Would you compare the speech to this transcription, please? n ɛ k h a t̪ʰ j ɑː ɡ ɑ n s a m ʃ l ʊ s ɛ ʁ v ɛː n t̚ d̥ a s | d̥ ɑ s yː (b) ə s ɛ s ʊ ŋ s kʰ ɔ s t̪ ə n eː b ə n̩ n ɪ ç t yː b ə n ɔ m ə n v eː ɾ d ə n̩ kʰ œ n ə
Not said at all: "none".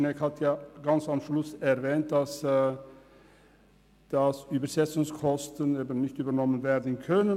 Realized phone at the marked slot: b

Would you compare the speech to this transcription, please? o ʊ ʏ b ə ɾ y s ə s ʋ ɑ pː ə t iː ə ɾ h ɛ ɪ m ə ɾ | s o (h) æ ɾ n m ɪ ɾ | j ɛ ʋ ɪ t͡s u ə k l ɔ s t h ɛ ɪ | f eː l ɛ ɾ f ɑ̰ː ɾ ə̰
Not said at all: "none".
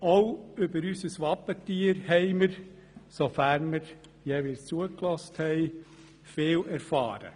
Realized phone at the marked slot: f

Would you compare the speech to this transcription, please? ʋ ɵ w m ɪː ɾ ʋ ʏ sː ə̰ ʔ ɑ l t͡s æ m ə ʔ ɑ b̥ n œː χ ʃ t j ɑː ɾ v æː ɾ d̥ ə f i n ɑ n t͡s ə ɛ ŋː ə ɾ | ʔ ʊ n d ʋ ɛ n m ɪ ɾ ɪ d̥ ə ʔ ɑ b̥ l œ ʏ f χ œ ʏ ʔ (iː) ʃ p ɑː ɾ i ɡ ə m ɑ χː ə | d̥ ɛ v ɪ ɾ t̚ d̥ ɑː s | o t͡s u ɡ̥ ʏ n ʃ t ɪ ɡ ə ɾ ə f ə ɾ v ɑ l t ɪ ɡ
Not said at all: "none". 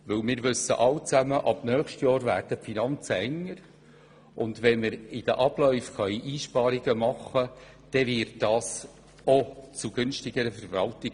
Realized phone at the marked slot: iː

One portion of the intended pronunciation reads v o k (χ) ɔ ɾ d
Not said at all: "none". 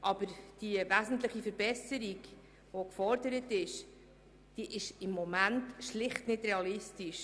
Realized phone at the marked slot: f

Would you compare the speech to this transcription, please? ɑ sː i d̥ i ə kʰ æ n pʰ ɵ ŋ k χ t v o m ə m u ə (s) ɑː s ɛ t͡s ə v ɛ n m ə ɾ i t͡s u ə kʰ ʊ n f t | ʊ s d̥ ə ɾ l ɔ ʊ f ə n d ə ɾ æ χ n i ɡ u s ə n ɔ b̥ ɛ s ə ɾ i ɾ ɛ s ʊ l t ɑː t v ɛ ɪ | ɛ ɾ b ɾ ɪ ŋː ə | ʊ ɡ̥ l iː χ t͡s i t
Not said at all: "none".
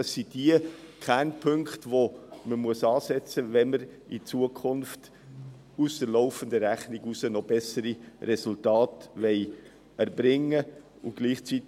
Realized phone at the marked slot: s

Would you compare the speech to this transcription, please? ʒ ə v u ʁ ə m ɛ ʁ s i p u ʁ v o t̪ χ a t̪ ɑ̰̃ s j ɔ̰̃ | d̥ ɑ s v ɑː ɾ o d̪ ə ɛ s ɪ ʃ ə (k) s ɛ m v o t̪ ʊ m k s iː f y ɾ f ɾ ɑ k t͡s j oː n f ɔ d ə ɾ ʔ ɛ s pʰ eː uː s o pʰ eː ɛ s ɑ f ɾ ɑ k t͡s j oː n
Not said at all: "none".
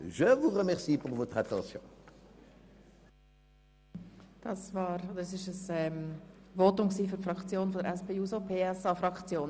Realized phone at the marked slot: none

